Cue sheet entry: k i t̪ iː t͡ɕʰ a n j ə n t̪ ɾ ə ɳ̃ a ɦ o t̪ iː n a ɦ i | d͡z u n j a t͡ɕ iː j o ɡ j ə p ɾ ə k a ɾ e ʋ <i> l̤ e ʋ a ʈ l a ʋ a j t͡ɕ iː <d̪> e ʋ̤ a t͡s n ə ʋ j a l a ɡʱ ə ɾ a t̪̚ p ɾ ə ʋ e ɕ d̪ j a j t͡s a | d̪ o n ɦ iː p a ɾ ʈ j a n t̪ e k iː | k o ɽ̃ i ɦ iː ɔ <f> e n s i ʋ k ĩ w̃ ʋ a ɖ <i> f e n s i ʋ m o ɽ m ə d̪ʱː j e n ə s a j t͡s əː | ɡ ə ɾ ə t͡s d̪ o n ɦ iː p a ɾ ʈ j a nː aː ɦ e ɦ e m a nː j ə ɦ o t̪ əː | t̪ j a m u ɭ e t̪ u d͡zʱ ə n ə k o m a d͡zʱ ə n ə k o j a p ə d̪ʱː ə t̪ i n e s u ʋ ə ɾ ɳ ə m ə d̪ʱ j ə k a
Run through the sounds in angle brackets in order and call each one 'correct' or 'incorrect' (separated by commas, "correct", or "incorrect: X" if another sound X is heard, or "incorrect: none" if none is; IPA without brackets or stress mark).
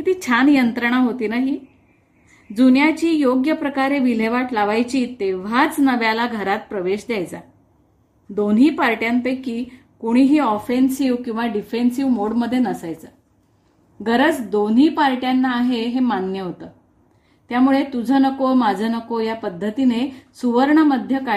correct, incorrect: t̪, correct, correct